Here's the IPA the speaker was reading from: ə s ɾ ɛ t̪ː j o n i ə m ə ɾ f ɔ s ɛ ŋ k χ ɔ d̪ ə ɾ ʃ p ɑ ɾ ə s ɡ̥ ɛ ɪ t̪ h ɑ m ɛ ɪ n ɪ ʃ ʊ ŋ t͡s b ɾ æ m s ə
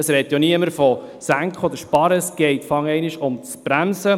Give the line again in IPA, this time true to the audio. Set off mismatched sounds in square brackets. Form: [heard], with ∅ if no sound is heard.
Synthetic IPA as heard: ə s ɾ ɛ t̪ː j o n i ə m ə ɾ f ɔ s [æ] ŋ k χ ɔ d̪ ə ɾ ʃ p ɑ ɾ ə s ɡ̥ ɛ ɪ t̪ [f] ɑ [ŋ] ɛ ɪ n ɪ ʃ ʊ [m] t͡s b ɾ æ m s ə